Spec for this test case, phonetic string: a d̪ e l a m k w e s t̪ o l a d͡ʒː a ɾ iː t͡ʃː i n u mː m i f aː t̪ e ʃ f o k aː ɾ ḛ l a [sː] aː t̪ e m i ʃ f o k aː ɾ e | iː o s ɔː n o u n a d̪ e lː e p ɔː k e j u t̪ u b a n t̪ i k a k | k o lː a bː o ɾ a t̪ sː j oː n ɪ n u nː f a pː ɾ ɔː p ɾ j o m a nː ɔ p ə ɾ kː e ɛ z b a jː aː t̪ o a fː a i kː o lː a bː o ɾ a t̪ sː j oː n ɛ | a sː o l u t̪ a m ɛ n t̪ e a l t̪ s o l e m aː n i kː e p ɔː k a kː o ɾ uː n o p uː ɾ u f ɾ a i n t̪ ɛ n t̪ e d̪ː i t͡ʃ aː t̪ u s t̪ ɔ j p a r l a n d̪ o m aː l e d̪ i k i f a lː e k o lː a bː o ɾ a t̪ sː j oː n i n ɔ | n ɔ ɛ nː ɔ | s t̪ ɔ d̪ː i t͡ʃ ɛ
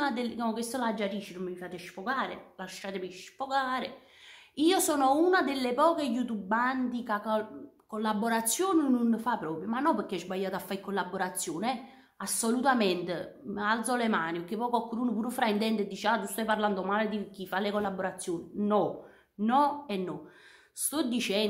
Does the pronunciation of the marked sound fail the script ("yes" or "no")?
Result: yes